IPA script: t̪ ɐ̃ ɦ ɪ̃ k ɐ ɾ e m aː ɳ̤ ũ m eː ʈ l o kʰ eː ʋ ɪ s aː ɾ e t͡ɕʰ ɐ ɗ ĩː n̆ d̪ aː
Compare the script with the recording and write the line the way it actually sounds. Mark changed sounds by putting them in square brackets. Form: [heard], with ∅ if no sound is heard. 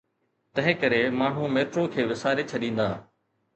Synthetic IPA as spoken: t̪ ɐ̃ ɦ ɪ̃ k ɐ ɾ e m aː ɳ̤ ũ m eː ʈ [ɾ] o kʰ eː ʋ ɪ s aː ɾ e t͡ɕʰ ɐ ɗ ĩː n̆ d̪ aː